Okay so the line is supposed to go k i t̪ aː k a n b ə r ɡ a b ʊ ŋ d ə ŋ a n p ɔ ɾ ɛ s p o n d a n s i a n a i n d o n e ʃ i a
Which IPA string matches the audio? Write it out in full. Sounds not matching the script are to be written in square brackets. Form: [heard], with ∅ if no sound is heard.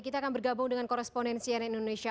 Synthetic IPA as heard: k i t̪ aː k a n b ə r ɡ a b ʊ ŋ d ə ŋ a n [k] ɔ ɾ ɛ s p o n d [ɛ] n s i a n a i n d o n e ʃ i a